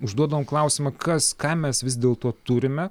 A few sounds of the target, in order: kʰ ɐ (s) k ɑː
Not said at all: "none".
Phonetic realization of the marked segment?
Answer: s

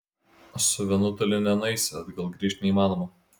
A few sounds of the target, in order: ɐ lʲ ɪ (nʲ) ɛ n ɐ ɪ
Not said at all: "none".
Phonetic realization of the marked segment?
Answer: nʲ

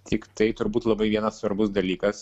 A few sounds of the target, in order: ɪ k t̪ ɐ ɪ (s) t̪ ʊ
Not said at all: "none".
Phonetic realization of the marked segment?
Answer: none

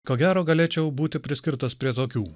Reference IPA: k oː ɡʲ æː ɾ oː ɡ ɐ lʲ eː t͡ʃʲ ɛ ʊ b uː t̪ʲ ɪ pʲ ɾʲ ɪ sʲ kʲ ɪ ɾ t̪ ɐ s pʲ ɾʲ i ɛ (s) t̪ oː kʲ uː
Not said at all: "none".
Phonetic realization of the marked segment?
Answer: none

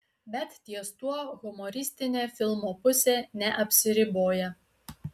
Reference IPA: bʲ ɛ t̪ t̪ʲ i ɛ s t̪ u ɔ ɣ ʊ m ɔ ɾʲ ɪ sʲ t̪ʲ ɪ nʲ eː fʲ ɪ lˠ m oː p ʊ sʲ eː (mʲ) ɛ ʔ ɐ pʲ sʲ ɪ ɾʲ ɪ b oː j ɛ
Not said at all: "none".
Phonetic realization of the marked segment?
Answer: nʲ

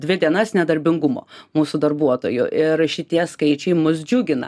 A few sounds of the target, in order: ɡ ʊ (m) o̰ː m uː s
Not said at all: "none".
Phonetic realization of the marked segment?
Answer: m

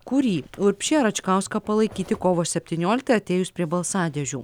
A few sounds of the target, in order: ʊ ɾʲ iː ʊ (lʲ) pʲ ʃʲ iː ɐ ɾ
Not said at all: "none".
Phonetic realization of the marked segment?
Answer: ɾʲ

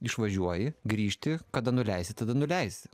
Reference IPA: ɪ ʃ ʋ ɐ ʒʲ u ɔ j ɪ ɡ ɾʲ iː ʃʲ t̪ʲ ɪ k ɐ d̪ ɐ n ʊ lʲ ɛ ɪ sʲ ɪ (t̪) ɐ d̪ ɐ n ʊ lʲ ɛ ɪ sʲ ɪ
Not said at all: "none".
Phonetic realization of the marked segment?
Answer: t̪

